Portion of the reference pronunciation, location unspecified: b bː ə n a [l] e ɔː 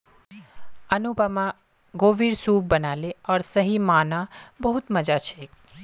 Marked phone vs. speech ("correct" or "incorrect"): correct